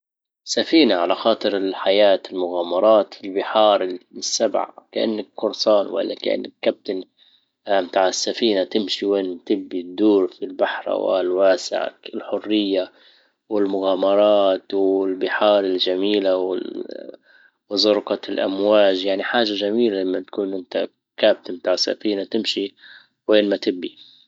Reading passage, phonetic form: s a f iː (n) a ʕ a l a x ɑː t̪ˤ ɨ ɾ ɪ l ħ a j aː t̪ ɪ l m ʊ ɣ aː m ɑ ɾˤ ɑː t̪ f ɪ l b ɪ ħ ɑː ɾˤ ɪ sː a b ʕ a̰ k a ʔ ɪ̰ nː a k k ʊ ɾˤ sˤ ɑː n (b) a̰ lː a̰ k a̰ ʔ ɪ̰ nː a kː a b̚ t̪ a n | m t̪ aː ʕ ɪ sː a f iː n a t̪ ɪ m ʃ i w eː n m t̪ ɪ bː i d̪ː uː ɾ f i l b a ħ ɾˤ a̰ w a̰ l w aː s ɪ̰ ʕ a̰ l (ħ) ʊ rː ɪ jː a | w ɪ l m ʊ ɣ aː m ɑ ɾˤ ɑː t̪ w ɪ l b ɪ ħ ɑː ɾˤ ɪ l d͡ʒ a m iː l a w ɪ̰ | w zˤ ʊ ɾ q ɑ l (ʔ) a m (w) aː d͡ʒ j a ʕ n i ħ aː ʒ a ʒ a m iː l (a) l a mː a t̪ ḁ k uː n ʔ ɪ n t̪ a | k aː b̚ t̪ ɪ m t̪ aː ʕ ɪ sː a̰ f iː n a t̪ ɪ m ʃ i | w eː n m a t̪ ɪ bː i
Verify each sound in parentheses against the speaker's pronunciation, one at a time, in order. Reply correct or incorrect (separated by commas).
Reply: correct, incorrect, correct, correct, correct, correct